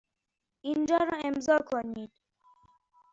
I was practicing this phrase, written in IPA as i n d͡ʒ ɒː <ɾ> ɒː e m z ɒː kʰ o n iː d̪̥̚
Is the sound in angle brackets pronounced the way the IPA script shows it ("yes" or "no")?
yes